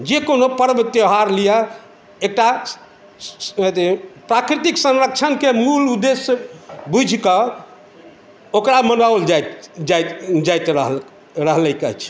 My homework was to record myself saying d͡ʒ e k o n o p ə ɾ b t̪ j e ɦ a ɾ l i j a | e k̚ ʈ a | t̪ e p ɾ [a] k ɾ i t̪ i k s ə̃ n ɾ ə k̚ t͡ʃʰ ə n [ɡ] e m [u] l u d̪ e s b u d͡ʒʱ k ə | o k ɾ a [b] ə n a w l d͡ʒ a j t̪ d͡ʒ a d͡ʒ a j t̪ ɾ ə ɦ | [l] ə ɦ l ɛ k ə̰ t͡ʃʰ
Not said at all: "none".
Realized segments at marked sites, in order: a, k, u, m, ɾ

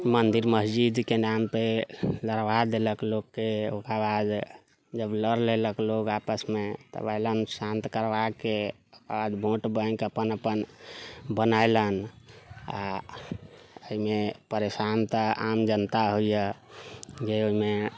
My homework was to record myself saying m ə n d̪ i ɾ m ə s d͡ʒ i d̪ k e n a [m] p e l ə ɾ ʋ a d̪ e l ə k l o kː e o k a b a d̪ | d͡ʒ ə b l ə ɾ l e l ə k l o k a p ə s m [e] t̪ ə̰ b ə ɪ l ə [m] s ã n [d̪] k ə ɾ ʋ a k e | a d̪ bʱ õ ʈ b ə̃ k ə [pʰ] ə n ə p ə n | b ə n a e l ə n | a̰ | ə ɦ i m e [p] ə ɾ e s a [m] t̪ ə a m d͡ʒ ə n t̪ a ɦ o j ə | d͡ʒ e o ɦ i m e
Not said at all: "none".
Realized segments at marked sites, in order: m, e, n, t̪, p, p, n

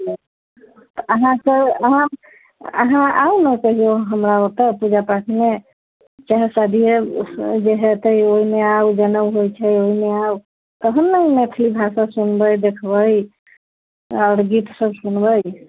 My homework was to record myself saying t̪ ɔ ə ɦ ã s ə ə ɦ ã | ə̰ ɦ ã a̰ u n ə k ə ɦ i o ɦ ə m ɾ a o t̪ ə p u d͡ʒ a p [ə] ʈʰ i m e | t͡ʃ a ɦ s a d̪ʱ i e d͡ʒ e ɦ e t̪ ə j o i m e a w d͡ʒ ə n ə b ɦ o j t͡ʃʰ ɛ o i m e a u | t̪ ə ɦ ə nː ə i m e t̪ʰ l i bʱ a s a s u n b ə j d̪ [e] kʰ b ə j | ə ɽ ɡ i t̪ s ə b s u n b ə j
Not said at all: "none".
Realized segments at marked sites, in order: a, e

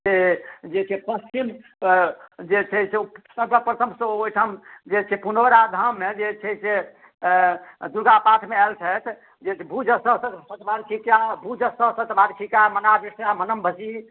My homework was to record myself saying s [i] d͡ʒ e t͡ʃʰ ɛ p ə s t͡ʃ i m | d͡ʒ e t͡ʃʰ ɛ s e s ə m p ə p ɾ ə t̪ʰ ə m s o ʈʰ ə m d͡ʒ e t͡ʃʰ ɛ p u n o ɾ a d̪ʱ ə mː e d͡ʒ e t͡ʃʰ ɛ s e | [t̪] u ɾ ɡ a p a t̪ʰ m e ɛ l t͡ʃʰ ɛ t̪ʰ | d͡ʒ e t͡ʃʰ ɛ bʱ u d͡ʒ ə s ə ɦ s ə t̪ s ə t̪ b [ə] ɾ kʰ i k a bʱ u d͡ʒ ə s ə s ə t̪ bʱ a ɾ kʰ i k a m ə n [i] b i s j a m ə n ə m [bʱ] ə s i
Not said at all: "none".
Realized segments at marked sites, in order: e, d̪, a, a, bʱ

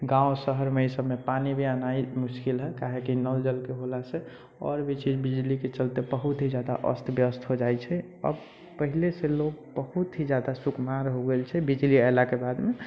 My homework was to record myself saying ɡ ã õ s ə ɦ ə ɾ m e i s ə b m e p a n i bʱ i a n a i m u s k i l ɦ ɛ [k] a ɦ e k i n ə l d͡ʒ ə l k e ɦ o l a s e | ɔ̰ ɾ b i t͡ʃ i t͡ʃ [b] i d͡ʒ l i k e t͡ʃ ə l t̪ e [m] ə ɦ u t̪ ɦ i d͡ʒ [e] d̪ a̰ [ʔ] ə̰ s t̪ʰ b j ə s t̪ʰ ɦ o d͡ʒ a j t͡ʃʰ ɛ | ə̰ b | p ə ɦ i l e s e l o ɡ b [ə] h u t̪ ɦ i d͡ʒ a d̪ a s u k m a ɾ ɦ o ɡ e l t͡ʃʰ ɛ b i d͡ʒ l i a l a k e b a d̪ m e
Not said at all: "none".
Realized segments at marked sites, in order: k, b, b, a, ʔ, ə

